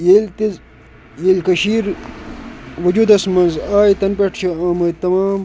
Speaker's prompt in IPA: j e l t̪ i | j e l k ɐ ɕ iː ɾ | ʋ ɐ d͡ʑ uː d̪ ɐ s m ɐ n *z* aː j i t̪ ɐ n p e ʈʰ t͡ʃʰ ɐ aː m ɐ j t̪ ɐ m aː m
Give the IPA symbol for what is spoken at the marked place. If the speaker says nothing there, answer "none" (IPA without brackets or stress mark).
z